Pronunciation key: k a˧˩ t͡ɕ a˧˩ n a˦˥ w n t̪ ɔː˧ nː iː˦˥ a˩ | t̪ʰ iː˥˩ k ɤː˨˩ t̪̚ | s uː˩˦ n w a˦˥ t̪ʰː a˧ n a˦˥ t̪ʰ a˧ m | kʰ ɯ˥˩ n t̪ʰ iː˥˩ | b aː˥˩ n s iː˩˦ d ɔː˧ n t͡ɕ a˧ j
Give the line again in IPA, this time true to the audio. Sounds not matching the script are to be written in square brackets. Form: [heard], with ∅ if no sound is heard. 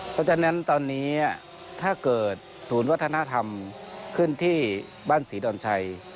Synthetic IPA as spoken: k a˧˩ t͡ɕ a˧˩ n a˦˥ [∅] n t̪ ɔː˧ nː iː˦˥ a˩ | t̪ʰ [aː˥˩] k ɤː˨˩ t̪̚ | s uː˩˦ n w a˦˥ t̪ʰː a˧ n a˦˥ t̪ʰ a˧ m | kʰ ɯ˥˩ n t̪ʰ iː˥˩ | b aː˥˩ n s iː˩˦ d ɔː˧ n [t͡ɕʰ] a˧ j